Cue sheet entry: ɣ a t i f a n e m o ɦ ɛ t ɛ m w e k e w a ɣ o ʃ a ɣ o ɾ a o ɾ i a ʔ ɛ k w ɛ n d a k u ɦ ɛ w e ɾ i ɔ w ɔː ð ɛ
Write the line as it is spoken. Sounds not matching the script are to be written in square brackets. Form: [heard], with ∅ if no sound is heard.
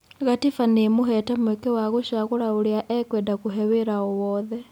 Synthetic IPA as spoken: ɣ a t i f a n e m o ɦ ɛ t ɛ m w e k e w a ɣ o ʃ a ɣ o ɾ a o ɾ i a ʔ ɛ k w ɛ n d a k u ɦ ɛ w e ɾ [a] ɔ w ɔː ð ɛ